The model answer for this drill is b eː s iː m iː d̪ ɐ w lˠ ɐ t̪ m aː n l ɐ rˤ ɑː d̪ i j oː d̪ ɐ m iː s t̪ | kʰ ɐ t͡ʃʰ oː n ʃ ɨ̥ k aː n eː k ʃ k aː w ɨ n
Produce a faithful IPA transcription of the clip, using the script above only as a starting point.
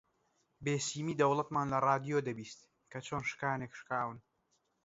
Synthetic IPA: b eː s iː m iː d̪ ɐ w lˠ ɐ t̪ m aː n l ɐ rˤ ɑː d̪ i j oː d̪ ɐ b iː s t̪ | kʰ ɐ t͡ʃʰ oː n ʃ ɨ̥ k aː n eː k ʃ k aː w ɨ n

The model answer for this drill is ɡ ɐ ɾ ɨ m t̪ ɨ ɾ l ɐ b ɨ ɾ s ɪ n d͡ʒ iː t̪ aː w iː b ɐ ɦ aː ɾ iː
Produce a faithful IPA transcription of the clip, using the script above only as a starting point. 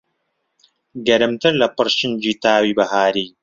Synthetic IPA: ɡ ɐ ɾ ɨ m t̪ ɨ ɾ l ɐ p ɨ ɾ ʃ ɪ n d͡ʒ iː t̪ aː w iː b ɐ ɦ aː ɾ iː

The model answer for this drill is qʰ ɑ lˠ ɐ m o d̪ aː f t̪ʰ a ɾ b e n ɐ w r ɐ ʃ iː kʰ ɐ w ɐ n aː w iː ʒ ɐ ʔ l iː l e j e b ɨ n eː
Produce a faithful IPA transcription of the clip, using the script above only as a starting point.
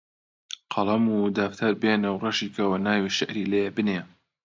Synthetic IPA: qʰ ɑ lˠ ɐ m u d̪ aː f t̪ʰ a ɾ b e n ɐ w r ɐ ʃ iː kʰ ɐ w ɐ n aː w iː ʃ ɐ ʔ ɾ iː l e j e b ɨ n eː

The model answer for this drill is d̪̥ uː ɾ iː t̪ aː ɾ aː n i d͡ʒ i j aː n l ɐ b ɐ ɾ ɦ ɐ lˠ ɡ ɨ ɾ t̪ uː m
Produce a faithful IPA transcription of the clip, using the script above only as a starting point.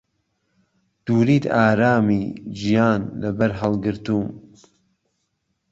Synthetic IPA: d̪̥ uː ɾ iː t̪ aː ɾ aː m i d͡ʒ i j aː n l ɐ b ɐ ɾ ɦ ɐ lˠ ɡ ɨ ɾ t̪ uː m

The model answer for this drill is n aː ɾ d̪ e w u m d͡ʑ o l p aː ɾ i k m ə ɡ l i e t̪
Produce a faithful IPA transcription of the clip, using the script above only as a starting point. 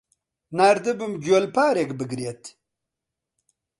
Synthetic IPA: n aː ɾ d̪ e b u m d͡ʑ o l p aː ɾ e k b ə ɡ ɾ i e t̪

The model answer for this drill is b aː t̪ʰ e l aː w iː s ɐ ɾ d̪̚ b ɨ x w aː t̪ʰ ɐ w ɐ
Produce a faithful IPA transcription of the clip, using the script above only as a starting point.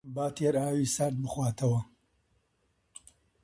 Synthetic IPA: b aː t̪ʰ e ɾ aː w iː s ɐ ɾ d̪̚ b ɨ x w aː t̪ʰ ɐ w ɐ

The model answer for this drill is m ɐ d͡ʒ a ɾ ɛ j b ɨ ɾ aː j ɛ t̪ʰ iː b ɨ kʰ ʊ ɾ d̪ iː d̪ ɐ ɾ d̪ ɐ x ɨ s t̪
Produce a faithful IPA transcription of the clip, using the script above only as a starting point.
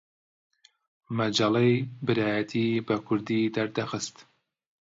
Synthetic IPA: m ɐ d͡ʒ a l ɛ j b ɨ ɾ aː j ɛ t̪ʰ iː b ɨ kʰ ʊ ɾ d̪ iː d̪ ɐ ɾ d̪ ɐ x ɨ s t̪

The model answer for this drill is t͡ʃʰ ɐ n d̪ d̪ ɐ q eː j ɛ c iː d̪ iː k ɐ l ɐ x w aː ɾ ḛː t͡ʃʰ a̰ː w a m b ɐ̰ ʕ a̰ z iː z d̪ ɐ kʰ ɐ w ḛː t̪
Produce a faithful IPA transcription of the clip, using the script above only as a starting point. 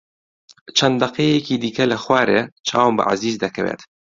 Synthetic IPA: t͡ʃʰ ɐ n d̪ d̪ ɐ q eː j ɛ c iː d̪ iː k ɐ l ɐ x w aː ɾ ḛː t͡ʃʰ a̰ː w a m b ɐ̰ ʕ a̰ z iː z d̪ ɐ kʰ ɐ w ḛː t̪

